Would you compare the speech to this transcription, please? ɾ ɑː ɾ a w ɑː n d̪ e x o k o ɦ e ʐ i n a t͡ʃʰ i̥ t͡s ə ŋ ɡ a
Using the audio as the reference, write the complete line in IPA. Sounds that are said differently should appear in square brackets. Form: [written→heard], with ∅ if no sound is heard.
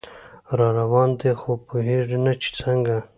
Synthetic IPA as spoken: ɾ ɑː ɾ a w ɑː n d̪ e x o [k→p] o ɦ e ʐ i n a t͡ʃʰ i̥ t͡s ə ŋ ɡ a